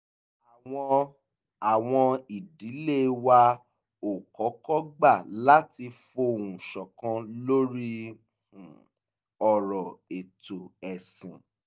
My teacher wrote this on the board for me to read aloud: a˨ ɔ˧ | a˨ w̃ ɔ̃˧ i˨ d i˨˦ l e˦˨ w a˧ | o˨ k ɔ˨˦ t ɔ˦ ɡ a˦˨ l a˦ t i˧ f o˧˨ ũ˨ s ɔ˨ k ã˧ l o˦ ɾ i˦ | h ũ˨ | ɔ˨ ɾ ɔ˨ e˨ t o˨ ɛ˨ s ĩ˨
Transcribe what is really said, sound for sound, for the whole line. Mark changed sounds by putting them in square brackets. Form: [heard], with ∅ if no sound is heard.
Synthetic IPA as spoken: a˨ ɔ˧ | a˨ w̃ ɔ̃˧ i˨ d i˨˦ l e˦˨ w a˧ | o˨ k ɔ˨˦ [k] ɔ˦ [ɡ͡b] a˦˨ l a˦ t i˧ f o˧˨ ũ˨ [ʃ] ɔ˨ k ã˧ l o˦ ɾ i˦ | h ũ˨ | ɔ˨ ɾ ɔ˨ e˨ t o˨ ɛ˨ s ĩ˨